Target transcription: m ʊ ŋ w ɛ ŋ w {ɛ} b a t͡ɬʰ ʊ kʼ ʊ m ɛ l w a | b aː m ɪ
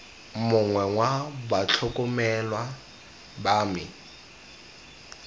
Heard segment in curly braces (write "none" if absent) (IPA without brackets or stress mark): a